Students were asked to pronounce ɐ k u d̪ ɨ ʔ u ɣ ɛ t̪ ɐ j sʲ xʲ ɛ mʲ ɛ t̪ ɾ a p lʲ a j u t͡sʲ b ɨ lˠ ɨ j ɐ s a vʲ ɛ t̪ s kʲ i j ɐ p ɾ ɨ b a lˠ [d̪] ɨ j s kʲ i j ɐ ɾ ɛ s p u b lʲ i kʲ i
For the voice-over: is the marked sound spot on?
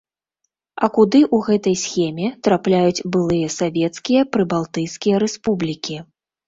no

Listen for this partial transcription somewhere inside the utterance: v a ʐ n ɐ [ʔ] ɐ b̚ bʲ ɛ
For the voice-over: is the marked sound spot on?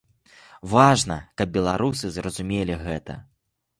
no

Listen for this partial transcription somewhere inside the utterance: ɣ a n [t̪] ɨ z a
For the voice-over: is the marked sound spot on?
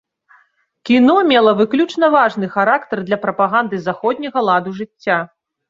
no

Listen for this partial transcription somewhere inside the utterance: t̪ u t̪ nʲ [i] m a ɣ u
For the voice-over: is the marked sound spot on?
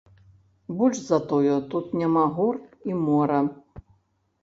no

